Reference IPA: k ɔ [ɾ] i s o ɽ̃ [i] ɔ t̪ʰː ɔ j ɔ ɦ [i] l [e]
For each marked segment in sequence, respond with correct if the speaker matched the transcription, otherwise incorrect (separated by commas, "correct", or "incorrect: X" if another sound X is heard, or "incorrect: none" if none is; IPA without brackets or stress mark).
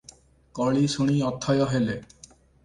incorrect: ɭ, correct, incorrect: e, correct